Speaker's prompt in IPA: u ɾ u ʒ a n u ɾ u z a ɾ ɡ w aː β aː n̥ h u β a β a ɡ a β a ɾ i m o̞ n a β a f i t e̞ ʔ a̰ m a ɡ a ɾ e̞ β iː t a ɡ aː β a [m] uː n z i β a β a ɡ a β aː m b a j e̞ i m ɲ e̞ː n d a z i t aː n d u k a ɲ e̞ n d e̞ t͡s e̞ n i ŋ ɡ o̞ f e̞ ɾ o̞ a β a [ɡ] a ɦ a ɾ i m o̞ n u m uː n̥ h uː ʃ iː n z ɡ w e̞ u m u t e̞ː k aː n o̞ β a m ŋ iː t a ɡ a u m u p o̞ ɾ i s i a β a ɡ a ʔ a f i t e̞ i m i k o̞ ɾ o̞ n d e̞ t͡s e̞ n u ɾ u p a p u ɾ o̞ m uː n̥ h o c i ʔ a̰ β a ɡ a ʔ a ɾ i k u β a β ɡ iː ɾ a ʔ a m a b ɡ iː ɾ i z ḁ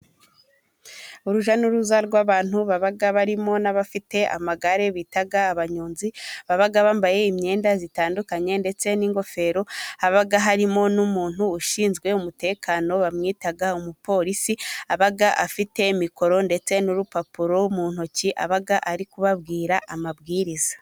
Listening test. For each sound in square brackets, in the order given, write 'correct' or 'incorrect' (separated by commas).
incorrect, correct